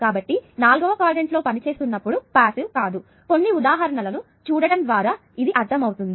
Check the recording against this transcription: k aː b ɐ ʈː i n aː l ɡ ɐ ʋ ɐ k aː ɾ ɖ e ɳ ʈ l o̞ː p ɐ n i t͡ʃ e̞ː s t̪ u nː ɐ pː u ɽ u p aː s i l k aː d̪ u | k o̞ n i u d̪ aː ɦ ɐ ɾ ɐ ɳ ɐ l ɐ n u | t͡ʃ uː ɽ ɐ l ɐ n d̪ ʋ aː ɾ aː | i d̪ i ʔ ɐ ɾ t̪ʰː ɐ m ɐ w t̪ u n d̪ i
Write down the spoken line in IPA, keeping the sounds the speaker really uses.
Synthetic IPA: k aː b ɐ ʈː i n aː l ɡ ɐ ʋ ɐ k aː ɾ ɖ e ɳ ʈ l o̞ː p ɐ n i t͡ʃ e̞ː s t̪ u nː ɐ pː u ɽ u p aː s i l k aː d̪ u | k o̞ nː i u d̪ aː ɦ ɐ ɾ ɐ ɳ ɐ l ɐ n u | t͡ʃ uː ɽ ɐ ɽ ɐ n d̪ ʋ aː ɾ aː | i d̪ i ʔ ɐ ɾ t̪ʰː ɐ m ɐ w t̪ u n d̪ i

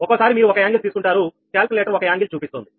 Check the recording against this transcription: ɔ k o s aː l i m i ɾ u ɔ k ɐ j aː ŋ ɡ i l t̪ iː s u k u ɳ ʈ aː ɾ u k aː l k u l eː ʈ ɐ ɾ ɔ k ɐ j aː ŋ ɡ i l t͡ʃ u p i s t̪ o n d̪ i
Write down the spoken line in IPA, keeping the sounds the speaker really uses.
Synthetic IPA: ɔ k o s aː ɾ i m iː ɾ u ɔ k ɐ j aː ŋ ɡ i l t̪ iː s u k u ɳ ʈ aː ɾ u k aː l k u l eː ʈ ɐ ɾ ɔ k ɐ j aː ŋ ɡ i l t͡ʃ uː p i s t̪ o n d̪ i

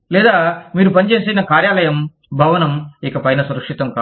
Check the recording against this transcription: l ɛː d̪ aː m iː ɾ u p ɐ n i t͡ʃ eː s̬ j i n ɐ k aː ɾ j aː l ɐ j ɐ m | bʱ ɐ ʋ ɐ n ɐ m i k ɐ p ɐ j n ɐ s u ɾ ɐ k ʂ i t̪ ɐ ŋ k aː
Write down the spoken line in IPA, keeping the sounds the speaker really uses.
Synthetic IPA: l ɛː d̪ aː m iː ɾ u p ɐ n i t͡ʃ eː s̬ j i n ɐ k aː ɾ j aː l ɐ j ɐ m | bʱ ɐ ʋ ɐ n ɐ m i k ɐ p ɐ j n ɐ s u ɾ ɐ k ʂ i t̪ ɐ m k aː

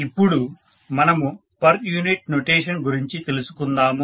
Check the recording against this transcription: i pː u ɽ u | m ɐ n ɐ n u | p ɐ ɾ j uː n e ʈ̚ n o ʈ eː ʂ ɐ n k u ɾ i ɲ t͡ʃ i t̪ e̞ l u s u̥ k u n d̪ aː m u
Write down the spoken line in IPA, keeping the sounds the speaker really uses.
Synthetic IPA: i pː u ɽ u | m ɐ n ɐ m u | p ɐ ɾ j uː n i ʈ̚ n o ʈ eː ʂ ɐ n ɡ u ɾ i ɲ t͡ʃ i t̪ e̞ l u s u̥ k u n d̪ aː m u

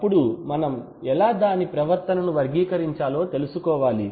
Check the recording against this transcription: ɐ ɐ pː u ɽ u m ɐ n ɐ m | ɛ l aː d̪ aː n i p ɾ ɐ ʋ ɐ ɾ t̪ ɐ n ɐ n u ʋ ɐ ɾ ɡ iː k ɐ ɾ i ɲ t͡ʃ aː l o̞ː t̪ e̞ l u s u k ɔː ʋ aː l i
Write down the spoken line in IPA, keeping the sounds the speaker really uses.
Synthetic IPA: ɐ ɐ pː u ɽ u m ɐ n ɐ m | ɛ l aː d̪ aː n i p ɾ ɐ ʋ ɐ ɾ t̪ ɐ n ɐ n u ʋ ɐ ɾ ɡ iː k ɐ ɾ i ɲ t͡ʃ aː l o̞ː t̪ e̞ l u s u k ɔː ʋ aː l i

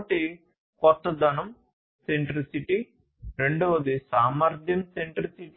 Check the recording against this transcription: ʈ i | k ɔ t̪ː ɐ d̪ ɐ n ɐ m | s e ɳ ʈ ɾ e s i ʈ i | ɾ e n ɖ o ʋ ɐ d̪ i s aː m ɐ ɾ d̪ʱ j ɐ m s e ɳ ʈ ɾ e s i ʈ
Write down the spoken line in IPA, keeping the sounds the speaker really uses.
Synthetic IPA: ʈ i | k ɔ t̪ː ɐ d̪ ɐ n ɐ m | s e ɳ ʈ ɾ i s i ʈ i | ɾ e ɳ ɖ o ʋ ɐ d̪ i s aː m ɐ ɾ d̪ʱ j ɐ m s e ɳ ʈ ɾ i s i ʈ

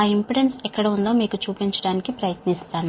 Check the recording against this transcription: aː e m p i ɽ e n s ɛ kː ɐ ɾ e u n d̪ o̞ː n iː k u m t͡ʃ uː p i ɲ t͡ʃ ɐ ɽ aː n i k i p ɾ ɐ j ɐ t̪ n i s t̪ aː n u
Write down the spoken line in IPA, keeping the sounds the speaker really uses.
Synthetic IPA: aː i m p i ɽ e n s ɛ kː ɐ ɽ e u n d̪ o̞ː m iː k u t͡ʃ uː p i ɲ t͡ʃ ɐ ɽ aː n i k i p ɾ ɐ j ɐ t̪ n i s t̪ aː n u

